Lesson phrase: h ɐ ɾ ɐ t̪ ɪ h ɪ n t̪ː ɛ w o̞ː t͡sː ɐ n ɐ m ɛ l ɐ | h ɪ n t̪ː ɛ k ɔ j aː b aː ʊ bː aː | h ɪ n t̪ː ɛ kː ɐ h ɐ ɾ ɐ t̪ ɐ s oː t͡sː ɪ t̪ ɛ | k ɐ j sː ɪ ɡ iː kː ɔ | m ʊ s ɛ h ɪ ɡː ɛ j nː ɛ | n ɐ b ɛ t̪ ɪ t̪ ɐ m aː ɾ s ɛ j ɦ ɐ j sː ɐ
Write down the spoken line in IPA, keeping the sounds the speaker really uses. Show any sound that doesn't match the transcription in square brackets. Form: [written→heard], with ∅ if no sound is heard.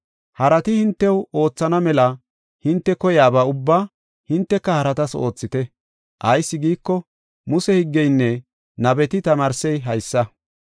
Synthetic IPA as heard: h ɐ ɾ ɐ t̪ ɪ h ɪ n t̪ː ɛ w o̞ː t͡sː ɐ n ɐ m ɛ l ɐ | h ɪ n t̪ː ɛ k ɔ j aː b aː ʊ bː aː | h ɪ n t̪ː ɛ kː ɐ h ɐ ɾ ɐ t̪ ɐ s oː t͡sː ɪ t̪ ɛ | [k→ʔ] ɐ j sː ɪ ɡ iː kː ɔ | m ʊ s ɛ h ɪ ɡː ɛ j nː ɛ | n ɐ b ɛ t̪ ɪ t̪ ɐ m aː ɾ s ɛ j ɦ ɐ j sː ɐ